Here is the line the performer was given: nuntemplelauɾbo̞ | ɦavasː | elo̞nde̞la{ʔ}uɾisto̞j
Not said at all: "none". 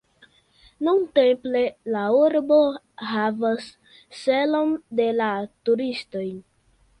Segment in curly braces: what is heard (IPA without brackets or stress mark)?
t